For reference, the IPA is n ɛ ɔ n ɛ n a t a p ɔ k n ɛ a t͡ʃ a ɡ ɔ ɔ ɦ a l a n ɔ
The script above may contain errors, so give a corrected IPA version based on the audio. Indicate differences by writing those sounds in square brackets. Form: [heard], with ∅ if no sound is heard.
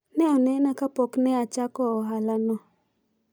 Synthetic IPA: n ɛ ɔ n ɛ n a [k] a p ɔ k n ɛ a t͡ʃ a [k] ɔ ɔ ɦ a l a n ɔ